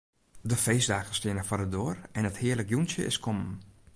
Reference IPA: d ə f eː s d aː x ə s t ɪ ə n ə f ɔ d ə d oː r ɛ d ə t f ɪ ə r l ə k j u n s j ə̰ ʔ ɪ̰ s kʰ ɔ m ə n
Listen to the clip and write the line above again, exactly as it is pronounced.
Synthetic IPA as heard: d ə f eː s d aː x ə s t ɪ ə n ə f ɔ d ə d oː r ɛ n ə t h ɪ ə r l ə k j u n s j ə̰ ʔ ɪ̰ s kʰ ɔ m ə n